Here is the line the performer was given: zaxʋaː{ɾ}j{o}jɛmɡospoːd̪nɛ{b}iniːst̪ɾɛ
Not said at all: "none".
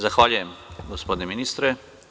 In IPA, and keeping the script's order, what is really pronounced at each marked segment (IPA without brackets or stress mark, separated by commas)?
l, u, m